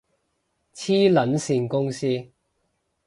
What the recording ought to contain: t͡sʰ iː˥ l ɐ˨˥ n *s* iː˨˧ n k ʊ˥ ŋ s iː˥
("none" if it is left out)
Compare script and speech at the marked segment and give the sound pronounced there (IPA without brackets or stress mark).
s